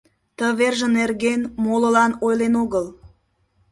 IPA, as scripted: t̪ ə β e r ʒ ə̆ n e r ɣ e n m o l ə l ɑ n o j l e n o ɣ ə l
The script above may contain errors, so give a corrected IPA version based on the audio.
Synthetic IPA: t̪ ə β e r ʒ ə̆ n e r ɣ e n m o l ə l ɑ n o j l e n o ɣ ə l